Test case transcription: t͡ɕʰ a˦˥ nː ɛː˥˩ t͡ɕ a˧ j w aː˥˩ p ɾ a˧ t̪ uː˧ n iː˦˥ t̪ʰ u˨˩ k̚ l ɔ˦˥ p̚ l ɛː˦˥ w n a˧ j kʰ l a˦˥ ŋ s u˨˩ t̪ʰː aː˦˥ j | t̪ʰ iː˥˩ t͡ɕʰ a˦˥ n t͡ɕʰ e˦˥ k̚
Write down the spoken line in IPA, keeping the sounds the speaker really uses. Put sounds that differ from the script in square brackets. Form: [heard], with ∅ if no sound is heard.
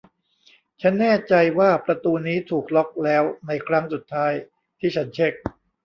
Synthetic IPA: t͡ɕʰ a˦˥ nː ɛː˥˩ t͡ɕ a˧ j w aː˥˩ p ɾ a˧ t̪ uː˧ n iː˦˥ t̪ʰ [uː˨˩] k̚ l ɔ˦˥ [k̚] l ɛː˦˥ w n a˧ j kʰ [ɾ] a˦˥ ŋ s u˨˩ t̪ʰː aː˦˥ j | t̪ʰ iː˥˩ t͡ɕʰ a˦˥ n t͡ɕʰ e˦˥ k̚